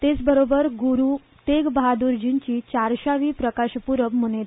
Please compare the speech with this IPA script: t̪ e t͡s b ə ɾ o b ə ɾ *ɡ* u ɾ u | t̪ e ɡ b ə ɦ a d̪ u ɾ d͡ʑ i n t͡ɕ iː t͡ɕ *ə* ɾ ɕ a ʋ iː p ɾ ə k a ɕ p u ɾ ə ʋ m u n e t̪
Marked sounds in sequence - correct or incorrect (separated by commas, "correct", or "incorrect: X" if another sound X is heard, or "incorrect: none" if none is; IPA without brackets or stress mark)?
correct, incorrect: a